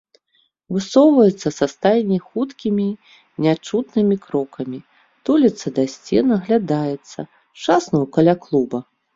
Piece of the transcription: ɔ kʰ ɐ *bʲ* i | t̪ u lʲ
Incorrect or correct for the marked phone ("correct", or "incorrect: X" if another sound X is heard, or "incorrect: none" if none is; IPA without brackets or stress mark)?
incorrect: mʲ